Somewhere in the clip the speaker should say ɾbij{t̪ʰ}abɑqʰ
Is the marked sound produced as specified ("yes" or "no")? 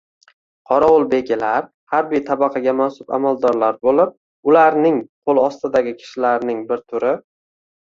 yes